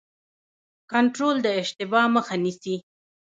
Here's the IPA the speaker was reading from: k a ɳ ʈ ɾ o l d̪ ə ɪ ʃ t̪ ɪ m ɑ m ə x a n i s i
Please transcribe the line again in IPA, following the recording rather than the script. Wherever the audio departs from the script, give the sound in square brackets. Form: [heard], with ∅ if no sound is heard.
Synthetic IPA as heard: k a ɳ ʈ ɾ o l d̪ ə ɪ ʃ t̪ ɪ [b] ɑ m ə x a n i s i